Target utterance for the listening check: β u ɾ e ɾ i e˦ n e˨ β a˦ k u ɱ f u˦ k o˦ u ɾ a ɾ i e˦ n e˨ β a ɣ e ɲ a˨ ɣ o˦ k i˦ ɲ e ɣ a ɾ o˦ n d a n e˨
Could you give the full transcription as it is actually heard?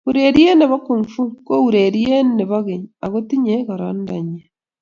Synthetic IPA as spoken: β u ɾ e ɾ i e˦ n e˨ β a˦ k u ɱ f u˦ k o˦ u ɾ e ɾ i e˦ n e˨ β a ɣ e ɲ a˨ ɣ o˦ t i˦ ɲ e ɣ a ɾ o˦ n d a ɲ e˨